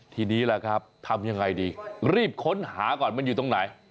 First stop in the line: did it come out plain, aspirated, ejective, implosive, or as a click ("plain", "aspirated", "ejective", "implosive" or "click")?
aspirated